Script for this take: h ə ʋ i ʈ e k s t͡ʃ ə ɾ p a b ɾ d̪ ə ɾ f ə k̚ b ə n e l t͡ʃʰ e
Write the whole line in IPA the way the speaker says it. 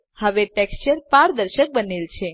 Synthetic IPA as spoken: h ə ʋ e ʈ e k s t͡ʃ ə ɾ p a ɾ d̪ ə ɾ ʃ ə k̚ b ə n e l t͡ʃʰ e